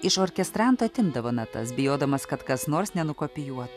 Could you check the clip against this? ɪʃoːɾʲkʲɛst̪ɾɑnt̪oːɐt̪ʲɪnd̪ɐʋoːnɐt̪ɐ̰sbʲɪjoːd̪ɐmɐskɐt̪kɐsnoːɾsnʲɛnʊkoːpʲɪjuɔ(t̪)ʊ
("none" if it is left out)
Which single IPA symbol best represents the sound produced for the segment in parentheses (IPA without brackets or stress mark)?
t̪